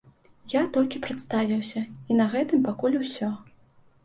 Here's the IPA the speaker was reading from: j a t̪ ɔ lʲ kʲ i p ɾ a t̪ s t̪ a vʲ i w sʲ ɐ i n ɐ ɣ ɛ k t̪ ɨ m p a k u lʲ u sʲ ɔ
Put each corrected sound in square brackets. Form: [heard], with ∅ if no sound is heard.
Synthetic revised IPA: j a t̪ ɔ lʲ kʲ i p ɾ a t̪ s t̪ a vʲ i w sʲ ɐ i n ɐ ɣ ɛ [∅] t̪ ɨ m p a k u lʲ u sʲ ɔ